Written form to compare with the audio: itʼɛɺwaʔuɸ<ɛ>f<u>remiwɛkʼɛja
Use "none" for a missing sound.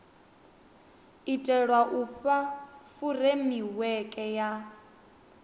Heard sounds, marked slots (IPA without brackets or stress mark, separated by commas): a, u